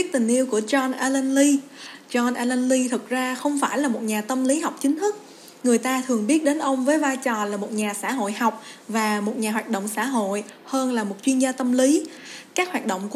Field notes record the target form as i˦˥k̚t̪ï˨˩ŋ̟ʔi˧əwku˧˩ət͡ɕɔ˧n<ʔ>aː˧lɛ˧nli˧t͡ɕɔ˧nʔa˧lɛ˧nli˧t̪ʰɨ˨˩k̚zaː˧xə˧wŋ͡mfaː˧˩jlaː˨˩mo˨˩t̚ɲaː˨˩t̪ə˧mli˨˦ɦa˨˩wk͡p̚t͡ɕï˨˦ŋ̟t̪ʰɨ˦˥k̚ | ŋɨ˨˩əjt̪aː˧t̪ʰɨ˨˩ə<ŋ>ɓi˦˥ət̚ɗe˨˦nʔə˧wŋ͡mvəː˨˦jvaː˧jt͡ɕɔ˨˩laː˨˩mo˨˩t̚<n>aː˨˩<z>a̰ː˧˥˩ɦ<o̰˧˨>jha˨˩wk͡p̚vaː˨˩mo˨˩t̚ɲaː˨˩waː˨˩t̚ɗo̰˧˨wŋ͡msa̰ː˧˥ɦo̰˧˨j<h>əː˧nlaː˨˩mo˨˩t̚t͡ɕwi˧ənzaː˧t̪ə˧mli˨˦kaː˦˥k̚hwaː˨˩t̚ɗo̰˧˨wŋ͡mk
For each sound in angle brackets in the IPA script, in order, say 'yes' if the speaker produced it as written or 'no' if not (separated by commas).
yes, yes, no, no, yes, yes